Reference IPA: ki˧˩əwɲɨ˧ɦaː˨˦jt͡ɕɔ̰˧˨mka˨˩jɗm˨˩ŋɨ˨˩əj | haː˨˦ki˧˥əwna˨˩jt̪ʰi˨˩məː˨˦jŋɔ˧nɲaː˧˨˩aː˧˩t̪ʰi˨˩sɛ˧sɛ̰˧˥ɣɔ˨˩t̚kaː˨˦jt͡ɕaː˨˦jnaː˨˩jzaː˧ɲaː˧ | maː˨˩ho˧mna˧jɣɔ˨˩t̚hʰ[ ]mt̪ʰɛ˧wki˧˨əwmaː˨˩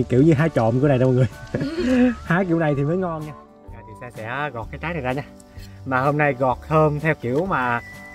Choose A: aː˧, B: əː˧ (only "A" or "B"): B